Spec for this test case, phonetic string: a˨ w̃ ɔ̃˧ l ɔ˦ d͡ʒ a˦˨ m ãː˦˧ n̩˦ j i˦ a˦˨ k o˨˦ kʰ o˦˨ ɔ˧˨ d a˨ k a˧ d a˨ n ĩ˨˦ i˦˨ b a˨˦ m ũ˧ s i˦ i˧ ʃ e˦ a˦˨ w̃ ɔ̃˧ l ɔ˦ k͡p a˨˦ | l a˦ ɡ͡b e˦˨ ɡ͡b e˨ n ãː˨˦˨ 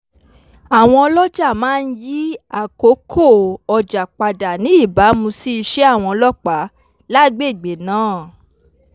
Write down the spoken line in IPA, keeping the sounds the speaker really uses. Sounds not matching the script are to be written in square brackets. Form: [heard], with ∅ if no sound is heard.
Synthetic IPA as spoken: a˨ w̃ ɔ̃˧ l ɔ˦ d͡ʒ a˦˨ m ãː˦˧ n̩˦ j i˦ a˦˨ k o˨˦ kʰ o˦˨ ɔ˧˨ [d͡ʒ] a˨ [k͡p] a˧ d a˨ n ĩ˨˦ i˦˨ b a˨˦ m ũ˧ s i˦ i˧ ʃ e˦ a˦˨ w̃ ɔ̃˧ l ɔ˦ k͡p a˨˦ | l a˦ ɡ͡b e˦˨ ɡ͡b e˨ n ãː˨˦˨